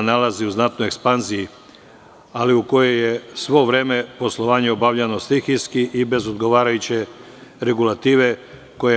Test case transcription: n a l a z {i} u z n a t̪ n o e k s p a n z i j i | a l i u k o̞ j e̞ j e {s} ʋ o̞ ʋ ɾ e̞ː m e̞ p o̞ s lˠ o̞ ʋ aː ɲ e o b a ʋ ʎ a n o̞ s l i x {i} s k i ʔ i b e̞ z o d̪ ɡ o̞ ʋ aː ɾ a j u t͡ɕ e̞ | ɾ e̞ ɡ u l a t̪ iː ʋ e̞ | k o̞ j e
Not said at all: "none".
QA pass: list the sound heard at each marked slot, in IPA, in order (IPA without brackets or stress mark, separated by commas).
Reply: i, s, i